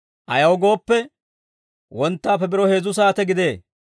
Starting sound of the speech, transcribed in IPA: ʔ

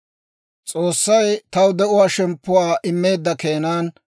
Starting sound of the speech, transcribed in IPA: t͡sʼ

